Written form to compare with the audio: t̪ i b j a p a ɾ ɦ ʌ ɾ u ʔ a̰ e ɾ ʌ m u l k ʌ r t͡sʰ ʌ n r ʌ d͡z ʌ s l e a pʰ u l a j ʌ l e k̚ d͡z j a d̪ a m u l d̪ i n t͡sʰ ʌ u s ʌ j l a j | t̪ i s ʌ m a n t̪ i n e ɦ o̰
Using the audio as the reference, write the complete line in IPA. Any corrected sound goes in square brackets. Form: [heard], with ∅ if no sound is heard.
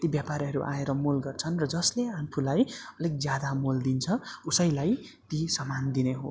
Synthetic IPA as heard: t̪ i b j a p a ɾ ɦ ʌ ɾ u ʔ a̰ e ɾ ʌ m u l [ɡ] ʌ r t͡sʰ ʌ n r ʌ d͡z ʌ s l e a pʰ u l a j ʌ l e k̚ d͡z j a d̪ a m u l d̪ i n t͡sʰ ʌ u s ʌ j l a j | t̪ i s ʌ m a n [d̪] i n e ɦ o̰